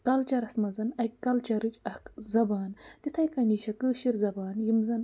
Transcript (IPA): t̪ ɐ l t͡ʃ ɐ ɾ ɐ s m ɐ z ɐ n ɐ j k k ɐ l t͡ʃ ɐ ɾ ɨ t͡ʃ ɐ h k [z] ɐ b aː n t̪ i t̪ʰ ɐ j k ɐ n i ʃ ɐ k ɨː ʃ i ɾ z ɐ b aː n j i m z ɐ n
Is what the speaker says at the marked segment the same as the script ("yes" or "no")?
yes